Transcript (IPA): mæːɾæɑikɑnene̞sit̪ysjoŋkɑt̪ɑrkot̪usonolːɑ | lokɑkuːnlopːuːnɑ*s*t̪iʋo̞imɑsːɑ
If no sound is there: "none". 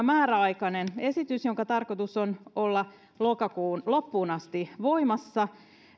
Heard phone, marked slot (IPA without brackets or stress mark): s